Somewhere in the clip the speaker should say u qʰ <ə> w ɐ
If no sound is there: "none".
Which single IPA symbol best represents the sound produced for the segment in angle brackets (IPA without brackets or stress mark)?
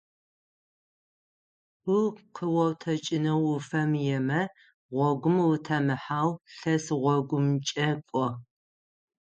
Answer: ə